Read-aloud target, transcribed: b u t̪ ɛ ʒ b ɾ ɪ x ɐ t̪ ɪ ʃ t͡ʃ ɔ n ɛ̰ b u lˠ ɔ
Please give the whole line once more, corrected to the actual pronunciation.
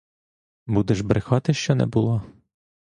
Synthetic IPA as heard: b u d̪ ɛ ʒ b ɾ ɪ x ɑ t̪ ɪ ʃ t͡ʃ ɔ n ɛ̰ b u lˠ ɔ